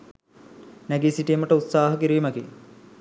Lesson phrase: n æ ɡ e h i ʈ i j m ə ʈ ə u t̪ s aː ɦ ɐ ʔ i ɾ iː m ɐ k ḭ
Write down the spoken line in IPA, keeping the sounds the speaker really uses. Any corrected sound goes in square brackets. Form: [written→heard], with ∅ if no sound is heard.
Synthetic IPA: n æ ɡ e [h→s] i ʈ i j m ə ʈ ə u t̪ s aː ɦ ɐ [ʔ→k] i ɾ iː m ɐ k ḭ